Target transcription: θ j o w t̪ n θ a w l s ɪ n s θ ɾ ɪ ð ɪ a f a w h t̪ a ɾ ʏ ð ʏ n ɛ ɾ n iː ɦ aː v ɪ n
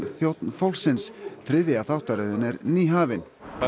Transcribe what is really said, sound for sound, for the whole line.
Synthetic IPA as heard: θ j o w t̪ n f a w l s ɪ n s θ ɾ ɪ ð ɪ a θ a w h t̪ a ɾ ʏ ð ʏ n ɛ ɾ n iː ɦ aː v ɪ n